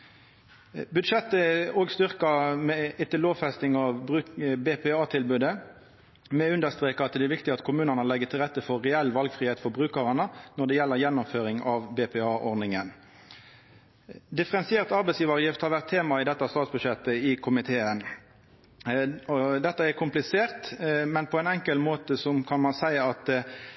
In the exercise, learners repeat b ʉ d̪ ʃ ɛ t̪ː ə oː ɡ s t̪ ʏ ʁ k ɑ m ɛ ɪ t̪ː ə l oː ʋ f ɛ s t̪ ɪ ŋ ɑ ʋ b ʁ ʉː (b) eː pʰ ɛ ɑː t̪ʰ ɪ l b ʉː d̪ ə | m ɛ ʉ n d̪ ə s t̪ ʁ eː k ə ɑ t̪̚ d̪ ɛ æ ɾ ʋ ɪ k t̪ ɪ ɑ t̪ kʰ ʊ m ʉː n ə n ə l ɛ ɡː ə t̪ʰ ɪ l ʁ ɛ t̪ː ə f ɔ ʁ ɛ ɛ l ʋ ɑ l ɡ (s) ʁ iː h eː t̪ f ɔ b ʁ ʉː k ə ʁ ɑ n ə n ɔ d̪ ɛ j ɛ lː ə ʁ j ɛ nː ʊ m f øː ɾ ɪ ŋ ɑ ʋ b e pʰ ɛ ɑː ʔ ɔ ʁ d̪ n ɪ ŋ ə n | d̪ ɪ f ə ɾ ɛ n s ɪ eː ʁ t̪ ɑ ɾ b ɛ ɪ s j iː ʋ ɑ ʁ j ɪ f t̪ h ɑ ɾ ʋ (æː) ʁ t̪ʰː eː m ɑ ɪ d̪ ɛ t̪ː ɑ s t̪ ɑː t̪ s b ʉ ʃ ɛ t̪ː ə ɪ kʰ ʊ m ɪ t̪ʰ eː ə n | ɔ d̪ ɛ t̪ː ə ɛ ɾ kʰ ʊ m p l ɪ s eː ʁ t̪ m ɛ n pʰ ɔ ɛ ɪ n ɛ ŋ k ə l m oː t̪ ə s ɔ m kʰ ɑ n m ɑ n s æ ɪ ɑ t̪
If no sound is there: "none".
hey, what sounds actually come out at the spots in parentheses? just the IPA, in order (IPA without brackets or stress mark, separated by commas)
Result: b, f, æ